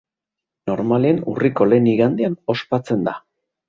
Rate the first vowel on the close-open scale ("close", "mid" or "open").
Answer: mid